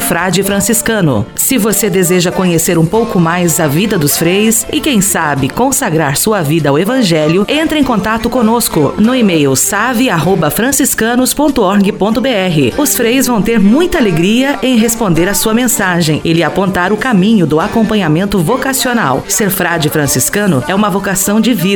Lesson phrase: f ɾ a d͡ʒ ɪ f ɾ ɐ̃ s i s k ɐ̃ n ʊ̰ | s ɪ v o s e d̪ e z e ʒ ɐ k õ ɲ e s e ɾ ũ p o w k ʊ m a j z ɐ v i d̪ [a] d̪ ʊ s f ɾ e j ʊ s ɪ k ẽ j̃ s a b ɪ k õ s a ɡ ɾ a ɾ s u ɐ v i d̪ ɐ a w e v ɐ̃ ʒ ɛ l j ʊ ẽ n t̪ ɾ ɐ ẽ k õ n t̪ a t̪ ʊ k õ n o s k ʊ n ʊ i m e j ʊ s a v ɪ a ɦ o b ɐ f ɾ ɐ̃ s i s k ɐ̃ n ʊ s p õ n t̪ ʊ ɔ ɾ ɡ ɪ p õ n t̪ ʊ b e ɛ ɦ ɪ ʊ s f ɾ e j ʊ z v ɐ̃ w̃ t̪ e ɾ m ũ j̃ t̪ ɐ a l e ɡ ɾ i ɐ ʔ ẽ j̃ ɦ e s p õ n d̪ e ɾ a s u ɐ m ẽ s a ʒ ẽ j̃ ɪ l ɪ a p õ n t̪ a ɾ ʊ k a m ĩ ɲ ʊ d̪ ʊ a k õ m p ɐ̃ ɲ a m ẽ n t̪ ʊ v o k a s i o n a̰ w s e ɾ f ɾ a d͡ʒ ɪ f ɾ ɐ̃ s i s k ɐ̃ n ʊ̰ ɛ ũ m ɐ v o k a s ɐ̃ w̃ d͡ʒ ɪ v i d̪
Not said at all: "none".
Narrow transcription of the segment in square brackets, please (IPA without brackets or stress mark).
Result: ɐ